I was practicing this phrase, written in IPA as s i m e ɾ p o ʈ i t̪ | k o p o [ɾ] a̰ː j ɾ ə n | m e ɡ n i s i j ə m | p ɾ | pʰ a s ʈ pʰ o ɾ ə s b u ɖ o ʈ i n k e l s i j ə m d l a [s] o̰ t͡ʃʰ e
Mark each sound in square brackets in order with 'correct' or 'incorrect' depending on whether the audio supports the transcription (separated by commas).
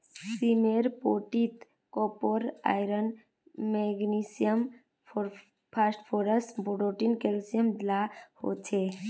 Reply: correct, incorrect